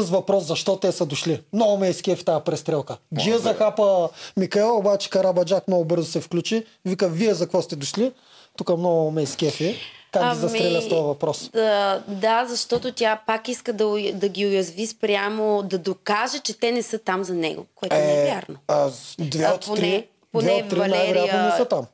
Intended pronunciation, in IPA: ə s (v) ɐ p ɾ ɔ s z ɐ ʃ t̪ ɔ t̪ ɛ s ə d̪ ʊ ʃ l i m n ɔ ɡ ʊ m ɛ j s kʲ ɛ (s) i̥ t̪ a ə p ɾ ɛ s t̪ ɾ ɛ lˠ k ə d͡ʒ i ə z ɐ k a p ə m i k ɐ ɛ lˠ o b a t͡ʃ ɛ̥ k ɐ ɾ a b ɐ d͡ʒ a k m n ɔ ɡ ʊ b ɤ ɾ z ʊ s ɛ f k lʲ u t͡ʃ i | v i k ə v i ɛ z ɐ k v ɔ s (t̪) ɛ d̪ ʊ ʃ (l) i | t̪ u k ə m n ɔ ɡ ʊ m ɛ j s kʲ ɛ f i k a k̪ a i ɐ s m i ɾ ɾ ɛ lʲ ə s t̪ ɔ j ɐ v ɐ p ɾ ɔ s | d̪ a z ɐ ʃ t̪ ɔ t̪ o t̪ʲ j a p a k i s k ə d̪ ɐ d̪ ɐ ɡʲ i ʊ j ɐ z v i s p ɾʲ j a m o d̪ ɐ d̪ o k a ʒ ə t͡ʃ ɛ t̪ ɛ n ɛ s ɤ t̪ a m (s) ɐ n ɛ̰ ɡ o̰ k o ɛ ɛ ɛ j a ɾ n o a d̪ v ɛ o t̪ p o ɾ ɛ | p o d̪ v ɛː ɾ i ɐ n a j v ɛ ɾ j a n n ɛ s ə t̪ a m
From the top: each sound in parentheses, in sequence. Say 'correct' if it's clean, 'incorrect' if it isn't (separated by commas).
correct, incorrect, correct, correct, incorrect